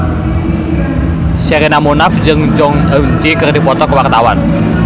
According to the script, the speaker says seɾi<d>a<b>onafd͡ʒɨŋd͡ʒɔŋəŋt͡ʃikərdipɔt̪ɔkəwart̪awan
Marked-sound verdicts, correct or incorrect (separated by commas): incorrect, incorrect